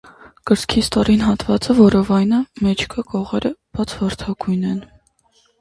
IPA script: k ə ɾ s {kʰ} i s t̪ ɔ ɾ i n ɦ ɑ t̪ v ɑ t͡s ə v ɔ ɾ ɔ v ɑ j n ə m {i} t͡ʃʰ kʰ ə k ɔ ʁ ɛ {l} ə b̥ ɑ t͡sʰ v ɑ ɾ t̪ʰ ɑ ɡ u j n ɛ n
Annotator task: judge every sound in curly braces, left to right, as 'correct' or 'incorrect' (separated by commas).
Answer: correct, incorrect, incorrect